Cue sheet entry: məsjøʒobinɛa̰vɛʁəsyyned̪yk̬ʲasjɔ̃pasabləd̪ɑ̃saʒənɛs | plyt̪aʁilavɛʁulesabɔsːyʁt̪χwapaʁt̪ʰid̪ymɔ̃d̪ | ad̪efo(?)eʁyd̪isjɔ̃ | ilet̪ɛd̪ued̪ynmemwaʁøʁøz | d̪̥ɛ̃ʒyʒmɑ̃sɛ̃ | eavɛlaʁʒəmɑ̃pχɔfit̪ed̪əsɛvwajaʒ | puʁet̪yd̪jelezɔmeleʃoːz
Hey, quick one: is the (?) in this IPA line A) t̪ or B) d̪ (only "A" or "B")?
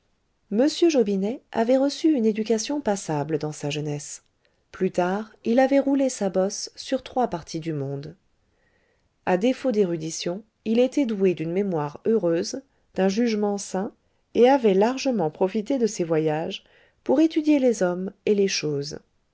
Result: B